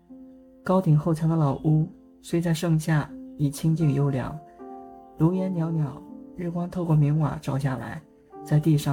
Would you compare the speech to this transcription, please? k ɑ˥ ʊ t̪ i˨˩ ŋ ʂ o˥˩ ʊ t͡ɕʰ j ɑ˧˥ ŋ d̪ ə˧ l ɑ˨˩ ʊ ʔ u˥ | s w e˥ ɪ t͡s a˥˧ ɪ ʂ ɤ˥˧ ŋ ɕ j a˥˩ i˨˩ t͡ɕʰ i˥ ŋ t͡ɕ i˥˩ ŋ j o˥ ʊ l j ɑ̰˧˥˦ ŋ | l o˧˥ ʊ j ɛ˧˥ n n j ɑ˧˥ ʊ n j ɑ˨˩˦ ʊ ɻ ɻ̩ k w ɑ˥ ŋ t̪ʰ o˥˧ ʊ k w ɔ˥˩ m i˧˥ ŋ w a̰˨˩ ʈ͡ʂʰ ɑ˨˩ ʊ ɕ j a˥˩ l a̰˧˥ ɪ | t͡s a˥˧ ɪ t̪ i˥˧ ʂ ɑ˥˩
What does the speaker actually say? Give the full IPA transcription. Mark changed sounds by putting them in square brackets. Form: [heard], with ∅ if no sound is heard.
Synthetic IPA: k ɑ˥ ʊ t̪ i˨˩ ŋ [x] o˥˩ ʊ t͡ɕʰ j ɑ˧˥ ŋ d̪ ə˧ l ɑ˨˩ ʊ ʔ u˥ | s w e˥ ɪ t͡s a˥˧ ɪ ʂ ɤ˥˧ ŋ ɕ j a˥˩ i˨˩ t͡ɕʰ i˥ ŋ t͡ɕ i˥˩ ŋ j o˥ ʊ l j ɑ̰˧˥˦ ŋ | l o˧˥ ʊ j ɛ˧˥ n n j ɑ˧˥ ʊ n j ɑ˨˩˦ ʊ ɻ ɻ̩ k w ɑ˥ ŋ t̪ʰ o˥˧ ʊ k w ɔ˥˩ m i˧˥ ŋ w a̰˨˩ [ʈ͡ʂ] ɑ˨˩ ʊ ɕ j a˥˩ l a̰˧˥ ɪ | t͡s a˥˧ ɪ t̪ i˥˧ ʂ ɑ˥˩